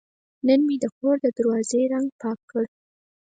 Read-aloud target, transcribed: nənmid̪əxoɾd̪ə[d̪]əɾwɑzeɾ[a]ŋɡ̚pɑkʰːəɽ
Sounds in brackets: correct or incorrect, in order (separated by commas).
correct, correct